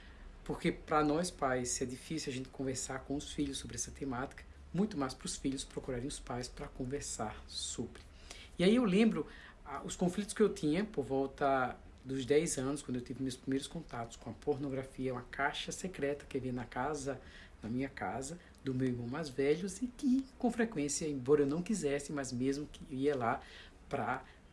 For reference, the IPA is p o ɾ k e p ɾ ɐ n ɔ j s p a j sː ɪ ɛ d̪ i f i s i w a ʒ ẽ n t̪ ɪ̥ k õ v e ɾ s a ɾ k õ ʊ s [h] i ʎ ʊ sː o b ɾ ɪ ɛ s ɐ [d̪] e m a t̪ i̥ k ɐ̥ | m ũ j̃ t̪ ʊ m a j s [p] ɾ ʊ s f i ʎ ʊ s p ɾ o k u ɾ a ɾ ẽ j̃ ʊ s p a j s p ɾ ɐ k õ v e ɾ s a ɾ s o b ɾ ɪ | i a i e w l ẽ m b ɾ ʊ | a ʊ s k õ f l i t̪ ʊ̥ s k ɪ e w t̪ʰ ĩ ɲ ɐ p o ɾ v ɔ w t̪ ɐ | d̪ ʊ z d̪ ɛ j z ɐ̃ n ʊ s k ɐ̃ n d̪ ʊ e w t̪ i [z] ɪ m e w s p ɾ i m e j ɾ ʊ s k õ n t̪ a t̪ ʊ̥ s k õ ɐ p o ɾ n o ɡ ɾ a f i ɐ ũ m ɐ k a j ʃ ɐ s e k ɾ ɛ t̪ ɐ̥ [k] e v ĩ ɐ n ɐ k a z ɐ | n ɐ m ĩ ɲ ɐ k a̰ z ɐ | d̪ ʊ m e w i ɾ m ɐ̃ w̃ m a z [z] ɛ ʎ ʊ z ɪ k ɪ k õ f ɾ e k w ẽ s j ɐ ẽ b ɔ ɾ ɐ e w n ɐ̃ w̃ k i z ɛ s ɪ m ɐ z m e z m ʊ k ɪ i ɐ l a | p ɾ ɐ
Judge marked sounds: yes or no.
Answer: no, no, yes, no, yes, no

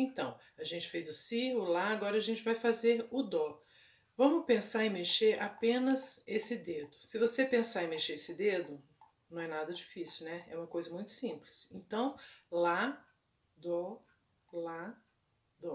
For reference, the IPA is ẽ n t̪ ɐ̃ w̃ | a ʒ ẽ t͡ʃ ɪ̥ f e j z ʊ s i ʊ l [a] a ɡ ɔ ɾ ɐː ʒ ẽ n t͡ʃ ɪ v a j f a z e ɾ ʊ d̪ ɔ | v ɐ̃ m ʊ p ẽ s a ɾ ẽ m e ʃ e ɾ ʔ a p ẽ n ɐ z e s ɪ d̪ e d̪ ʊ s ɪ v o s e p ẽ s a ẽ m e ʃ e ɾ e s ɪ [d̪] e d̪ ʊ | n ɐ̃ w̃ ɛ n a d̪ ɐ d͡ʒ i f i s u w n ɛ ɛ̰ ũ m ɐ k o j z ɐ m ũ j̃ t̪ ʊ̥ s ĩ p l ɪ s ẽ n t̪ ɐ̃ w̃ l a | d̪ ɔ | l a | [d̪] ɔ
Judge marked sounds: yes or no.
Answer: yes, yes, yes

